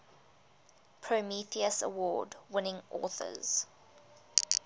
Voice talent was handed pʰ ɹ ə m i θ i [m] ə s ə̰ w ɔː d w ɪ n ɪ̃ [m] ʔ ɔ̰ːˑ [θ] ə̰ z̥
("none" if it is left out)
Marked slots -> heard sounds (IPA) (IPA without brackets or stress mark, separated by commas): none, ŋ, θ